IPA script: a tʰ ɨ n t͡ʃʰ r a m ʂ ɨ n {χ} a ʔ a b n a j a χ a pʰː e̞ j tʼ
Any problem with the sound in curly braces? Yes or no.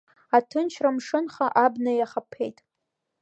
no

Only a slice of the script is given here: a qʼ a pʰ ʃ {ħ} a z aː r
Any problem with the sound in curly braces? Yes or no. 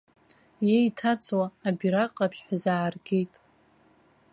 no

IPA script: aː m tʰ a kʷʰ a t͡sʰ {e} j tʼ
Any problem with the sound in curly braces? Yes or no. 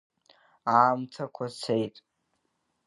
no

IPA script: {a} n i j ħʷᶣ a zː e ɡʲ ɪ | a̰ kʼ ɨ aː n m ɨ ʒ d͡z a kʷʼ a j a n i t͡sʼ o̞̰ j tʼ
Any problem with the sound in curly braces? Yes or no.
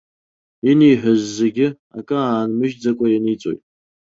yes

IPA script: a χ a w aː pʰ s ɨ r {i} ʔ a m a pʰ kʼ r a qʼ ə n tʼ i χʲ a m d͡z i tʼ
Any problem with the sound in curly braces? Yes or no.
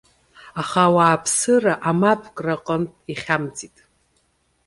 yes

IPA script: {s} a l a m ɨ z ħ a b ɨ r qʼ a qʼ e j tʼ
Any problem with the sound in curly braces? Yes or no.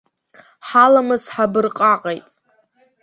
yes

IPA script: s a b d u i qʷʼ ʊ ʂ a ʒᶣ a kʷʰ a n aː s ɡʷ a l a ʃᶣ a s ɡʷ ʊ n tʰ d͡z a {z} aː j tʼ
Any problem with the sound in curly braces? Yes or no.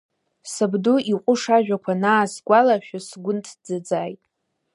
yes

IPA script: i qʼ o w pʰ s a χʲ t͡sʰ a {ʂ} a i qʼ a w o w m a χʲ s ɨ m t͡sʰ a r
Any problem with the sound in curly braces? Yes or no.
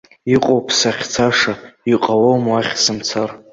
no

